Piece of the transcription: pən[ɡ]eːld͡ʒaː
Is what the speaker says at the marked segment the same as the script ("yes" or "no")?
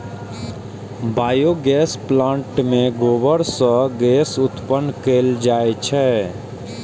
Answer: no